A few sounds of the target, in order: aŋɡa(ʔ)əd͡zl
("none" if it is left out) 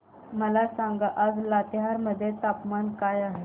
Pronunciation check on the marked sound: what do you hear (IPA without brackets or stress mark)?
ʔ